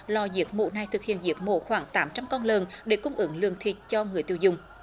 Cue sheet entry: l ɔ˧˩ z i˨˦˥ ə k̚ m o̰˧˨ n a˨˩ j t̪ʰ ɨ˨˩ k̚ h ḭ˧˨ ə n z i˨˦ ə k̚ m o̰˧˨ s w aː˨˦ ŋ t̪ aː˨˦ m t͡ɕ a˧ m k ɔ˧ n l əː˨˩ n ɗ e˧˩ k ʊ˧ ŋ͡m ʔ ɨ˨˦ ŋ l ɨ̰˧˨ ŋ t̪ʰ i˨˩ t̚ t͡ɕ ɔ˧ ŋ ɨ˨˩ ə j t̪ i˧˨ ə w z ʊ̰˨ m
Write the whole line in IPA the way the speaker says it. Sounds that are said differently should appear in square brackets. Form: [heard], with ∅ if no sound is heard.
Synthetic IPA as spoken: l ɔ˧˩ z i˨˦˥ ə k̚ m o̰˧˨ n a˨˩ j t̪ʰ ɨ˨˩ k̚ h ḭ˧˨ ə n z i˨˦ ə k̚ m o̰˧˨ [x] w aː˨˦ ŋ t̪ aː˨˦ m t͡ɕ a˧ m k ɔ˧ n l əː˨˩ n ɗ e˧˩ k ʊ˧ ŋ͡m ʔ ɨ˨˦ ŋ l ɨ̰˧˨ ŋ t̪ʰ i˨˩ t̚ t͡ɕ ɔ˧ ŋ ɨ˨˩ ə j t̪ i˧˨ ə w z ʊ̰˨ [ŋ͡m]